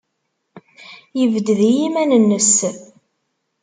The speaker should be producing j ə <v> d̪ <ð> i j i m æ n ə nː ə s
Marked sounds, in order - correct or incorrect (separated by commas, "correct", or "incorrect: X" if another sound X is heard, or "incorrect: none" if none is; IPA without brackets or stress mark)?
correct, correct